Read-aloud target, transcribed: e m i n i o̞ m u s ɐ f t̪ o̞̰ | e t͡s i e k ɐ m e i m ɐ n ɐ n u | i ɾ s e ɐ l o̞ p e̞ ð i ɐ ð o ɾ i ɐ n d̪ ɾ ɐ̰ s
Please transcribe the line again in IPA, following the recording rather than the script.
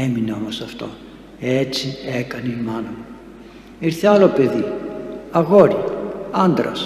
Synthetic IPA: e m i n e o̞ m o s ɐ f t̪ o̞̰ | e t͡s i e k ɐ n e i m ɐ n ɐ m u | i ɾ θ e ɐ l o̞ p e̞ ð i ɐ ɣ o ɾ i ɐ n d̪ ɾ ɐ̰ s